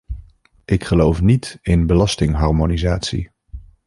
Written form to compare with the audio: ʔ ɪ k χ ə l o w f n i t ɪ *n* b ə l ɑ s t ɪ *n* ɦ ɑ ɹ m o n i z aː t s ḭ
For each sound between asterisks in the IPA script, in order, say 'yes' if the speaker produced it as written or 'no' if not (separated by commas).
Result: yes, no